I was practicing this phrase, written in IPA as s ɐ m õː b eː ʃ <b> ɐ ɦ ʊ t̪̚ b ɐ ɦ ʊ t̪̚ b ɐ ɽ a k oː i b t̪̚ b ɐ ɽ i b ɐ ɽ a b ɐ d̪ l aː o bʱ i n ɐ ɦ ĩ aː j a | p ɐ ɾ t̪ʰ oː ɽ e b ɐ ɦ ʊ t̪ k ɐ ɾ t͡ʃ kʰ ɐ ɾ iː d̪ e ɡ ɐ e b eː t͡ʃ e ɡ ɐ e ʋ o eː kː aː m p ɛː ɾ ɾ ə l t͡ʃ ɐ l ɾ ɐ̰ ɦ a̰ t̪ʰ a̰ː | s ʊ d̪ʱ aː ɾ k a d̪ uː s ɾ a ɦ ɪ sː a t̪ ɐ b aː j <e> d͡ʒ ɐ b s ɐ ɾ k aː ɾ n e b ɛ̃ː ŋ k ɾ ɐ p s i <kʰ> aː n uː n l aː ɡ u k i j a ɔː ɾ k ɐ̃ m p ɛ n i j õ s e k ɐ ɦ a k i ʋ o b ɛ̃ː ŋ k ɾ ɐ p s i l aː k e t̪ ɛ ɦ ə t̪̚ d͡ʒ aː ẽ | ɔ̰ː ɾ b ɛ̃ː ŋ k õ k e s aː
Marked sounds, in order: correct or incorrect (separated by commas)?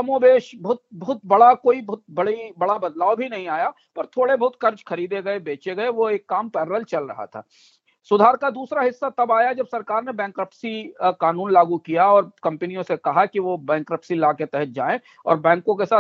correct, incorrect, incorrect